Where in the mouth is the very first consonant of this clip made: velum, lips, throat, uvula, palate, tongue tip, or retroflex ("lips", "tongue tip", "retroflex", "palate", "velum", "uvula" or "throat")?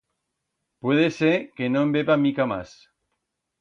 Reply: lips